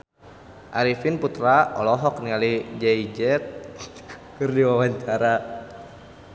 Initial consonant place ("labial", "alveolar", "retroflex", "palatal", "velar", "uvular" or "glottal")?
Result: glottal